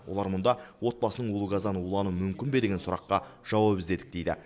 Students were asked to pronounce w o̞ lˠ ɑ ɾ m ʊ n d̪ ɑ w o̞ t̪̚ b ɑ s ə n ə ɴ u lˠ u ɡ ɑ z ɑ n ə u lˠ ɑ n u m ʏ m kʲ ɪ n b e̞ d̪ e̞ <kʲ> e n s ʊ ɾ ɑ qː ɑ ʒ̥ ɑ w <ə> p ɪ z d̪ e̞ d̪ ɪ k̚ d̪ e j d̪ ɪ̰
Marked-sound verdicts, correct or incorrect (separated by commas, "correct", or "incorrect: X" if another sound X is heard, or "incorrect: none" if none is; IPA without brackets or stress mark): incorrect: ɡʲ, incorrect: ɑ